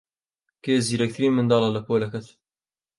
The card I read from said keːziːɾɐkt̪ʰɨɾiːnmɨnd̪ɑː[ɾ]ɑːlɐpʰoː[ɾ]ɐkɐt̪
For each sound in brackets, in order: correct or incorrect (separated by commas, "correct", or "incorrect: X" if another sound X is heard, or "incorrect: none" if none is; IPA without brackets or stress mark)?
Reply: incorrect: l, incorrect: l